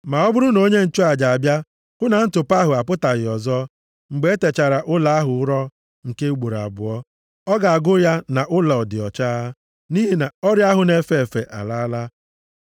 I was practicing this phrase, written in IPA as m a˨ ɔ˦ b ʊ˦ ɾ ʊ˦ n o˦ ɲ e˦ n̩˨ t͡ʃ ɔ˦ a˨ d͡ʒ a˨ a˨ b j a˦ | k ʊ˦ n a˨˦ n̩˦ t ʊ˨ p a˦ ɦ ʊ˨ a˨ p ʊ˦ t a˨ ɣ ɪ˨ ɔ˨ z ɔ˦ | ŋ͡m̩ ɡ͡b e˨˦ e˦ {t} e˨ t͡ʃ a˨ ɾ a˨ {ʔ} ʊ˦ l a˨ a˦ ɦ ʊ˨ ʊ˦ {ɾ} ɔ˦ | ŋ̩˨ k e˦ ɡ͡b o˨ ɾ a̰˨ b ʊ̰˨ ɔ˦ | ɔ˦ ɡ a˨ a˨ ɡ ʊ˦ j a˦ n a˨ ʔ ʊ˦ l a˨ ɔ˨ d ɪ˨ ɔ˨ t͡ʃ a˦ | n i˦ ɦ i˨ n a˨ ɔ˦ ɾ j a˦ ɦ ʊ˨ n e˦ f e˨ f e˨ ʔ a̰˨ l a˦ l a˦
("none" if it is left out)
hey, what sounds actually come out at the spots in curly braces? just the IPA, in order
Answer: t, ʔ, ɾ

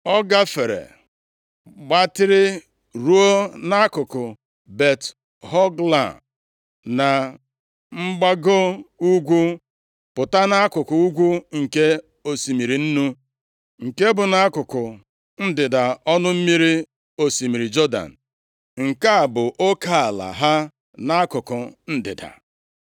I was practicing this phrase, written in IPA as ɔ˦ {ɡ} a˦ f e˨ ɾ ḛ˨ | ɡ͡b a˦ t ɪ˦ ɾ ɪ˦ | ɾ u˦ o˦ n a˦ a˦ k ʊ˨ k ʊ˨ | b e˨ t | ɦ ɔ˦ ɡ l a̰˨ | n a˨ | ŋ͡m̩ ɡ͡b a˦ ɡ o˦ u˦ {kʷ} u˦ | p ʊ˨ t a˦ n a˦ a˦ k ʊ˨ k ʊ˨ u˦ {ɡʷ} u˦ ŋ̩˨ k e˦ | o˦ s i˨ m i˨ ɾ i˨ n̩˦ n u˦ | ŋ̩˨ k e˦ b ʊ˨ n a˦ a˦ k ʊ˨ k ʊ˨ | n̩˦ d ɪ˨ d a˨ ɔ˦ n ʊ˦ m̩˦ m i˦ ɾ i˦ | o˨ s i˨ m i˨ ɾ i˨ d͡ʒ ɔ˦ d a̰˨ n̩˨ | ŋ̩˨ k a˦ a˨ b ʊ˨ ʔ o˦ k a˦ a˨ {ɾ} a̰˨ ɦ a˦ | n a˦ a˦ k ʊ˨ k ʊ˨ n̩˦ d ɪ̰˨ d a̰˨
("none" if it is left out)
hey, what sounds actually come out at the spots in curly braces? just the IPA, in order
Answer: ɡ, ɡʷ, ɡʷ, l

